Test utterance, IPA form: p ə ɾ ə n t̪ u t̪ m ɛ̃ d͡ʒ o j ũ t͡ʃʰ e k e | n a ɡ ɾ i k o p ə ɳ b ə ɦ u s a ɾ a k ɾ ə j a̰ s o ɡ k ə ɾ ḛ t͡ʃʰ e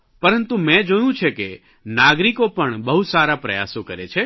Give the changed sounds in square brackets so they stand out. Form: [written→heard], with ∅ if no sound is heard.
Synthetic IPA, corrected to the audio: p ə ɾ ə n t̪ u [t̪→∅] m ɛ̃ d͡ʒ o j ũ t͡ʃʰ e k e | n a ɡ ɾ i k o p ə ɳ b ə ɦ u s a ɾ a [k→p] ɾ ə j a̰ s o [ɡ→∅] k ə ɾ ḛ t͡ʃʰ e